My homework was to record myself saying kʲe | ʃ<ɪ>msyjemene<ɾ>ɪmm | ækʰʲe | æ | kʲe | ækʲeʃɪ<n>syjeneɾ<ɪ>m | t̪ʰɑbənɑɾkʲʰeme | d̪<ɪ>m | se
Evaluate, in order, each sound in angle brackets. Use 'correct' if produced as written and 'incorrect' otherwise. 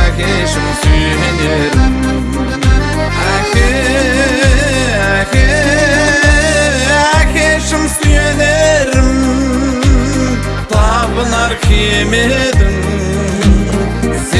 correct, correct, incorrect: m, correct, correct

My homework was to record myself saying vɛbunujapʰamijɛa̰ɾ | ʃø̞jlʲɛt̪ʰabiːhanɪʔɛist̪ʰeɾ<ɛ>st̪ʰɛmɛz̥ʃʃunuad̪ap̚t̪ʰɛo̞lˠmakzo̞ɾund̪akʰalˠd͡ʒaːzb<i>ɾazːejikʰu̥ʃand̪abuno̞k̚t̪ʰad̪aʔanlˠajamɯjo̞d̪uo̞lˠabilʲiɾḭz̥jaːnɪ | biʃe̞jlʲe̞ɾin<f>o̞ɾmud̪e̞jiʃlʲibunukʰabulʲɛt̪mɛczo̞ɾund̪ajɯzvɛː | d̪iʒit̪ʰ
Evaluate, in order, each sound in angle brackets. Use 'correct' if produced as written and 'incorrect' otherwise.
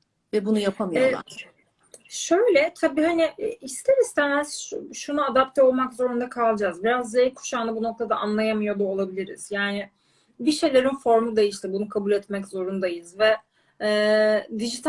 incorrect: i, correct, correct

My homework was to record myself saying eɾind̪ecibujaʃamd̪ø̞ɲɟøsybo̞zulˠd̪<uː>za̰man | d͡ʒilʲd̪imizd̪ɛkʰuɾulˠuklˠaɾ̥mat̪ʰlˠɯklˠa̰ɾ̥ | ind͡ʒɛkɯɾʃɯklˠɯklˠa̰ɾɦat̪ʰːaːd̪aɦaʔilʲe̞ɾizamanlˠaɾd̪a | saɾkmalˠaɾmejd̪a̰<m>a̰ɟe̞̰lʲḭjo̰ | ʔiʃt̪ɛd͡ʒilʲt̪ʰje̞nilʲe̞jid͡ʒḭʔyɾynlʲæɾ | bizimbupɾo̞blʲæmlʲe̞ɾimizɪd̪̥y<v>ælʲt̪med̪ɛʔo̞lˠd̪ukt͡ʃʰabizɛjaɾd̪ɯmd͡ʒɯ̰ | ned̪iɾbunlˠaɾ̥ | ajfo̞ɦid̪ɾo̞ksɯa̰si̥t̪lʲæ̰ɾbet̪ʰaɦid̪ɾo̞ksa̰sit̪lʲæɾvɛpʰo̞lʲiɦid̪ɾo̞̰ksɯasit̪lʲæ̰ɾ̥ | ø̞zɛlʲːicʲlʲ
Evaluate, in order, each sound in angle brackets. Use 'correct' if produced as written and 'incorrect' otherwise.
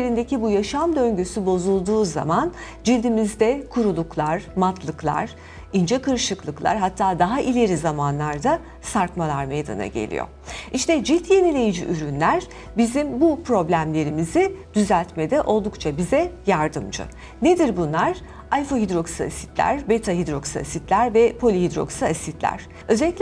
correct, incorrect: n, incorrect: z

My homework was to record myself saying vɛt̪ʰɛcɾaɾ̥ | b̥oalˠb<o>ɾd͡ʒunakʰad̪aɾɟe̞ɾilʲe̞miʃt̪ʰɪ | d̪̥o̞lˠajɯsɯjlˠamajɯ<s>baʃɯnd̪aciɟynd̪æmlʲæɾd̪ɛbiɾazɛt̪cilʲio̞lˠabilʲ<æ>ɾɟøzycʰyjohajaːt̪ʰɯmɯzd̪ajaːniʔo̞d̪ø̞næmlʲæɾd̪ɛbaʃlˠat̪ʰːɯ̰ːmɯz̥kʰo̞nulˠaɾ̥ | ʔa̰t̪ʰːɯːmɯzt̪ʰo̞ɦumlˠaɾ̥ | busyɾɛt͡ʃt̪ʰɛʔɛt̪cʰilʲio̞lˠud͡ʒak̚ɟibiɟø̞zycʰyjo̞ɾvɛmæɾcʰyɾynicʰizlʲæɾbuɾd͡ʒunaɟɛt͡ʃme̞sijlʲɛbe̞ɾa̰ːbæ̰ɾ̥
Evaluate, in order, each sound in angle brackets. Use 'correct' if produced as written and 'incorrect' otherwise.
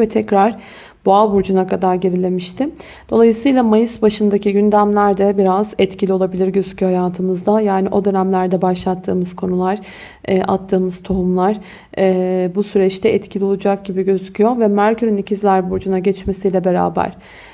incorrect: u, correct, incorrect: i

